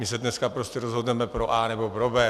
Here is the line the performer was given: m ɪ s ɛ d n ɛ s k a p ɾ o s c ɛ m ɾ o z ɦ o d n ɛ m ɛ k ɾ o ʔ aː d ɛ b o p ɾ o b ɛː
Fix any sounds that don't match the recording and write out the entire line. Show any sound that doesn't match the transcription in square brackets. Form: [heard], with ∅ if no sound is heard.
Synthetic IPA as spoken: m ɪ s ɛ d n ɛ s k a p ɾ o s c ɛ [∅] ɾ o z ɦ o d n ɛ m ɛ [p] ɾ o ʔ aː [n] ɛ b o p ɾ o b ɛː